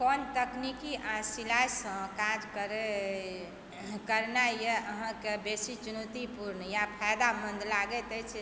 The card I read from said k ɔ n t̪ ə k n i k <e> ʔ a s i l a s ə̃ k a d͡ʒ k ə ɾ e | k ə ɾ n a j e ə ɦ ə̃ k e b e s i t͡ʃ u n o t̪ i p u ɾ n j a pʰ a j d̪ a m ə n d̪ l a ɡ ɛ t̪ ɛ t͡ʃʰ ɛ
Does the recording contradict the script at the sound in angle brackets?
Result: yes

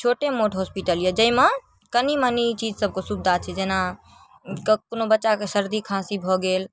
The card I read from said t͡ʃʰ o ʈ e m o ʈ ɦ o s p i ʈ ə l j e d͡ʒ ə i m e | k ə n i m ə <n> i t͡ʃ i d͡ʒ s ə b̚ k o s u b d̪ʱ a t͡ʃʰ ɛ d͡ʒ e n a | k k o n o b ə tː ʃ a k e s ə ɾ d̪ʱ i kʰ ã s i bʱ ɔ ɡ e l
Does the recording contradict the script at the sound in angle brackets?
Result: no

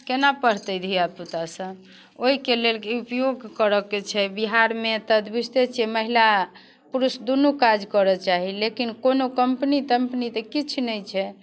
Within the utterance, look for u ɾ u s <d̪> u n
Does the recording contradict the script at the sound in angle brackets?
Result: no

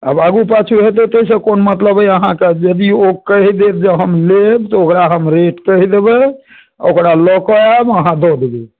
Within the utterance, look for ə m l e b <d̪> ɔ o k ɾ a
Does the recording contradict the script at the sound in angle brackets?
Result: yes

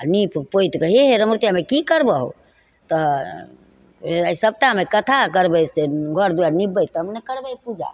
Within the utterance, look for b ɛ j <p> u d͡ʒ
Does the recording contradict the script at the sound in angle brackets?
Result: no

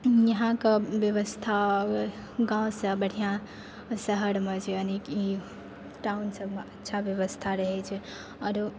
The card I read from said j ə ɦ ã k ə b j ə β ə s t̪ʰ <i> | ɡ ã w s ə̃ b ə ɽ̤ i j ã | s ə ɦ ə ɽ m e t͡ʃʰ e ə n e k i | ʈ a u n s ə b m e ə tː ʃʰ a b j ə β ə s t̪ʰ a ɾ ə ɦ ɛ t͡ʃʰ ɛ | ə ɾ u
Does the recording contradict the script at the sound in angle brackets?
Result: yes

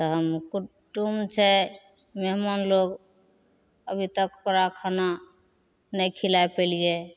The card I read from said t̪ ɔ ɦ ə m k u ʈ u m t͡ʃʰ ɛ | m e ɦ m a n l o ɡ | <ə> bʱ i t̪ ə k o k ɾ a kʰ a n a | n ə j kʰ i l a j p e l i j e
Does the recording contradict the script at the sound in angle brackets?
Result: no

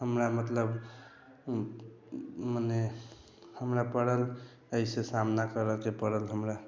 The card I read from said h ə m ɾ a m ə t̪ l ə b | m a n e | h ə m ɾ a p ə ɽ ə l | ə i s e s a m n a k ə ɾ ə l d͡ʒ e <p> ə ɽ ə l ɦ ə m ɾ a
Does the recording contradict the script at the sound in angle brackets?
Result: no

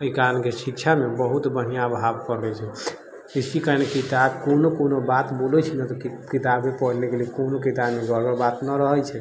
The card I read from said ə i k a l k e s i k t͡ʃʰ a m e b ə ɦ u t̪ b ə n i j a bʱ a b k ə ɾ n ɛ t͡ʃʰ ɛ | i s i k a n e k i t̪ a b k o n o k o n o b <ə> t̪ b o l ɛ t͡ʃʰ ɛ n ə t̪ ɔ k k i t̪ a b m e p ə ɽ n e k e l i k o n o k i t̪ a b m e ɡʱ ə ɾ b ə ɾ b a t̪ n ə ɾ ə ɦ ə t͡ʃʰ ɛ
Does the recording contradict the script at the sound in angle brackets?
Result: yes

